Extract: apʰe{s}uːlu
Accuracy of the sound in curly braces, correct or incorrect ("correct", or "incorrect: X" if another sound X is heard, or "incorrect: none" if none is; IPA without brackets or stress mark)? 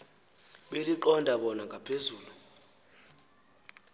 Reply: incorrect: z